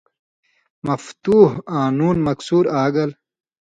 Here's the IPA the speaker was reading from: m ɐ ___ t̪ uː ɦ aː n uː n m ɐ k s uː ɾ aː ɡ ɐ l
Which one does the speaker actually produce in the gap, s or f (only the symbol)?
f